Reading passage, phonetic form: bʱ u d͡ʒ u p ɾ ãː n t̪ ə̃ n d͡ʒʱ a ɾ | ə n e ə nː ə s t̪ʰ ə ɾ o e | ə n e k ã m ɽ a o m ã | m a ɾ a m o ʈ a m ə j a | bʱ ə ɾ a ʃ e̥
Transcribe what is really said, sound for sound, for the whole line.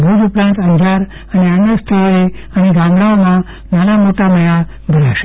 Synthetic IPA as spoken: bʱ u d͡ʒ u p ɾ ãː n t̪ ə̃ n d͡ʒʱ a ɾ | ə n e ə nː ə s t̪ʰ ə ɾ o e | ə n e ɡ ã m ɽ a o m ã | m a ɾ a m o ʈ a m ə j a | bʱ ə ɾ a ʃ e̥